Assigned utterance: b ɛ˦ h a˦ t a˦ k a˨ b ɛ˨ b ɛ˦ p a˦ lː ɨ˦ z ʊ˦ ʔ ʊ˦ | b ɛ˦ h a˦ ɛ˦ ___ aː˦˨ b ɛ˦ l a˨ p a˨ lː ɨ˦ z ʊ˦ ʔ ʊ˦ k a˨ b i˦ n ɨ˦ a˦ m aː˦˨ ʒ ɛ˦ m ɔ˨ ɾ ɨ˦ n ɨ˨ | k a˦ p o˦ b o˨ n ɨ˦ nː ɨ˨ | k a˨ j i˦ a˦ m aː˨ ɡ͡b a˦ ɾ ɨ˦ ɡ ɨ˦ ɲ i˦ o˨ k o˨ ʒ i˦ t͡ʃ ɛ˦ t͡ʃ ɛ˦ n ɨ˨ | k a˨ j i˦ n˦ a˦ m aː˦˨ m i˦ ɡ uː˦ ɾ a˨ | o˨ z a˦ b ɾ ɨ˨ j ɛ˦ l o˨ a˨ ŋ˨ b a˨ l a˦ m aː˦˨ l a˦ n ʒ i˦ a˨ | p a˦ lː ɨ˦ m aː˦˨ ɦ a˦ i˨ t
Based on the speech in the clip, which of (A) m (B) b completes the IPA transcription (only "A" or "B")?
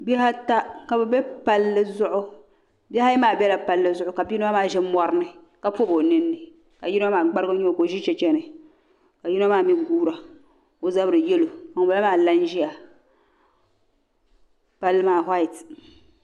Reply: A